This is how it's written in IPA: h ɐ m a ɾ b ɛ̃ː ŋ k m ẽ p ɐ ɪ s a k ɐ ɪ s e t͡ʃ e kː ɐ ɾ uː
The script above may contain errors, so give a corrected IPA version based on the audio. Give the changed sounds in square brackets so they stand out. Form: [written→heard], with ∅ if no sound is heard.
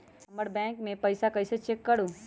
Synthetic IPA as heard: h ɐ m [a→ə] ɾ b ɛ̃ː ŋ k m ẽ p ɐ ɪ s a k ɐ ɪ s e t͡ʃ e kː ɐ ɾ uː